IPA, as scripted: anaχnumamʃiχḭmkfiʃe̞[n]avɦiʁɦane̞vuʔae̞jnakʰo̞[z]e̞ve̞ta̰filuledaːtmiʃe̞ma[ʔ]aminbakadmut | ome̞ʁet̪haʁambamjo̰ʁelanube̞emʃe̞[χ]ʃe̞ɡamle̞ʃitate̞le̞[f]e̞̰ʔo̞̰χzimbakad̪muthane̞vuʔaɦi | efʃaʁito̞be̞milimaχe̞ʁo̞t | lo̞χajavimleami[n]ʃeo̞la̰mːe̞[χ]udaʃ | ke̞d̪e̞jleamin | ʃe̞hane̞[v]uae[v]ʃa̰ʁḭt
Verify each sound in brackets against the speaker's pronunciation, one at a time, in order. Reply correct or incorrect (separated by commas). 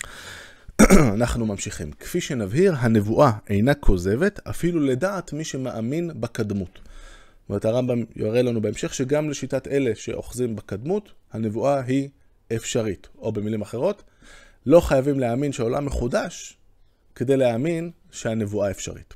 correct, correct, correct, correct, incorrect, correct, correct, correct, incorrect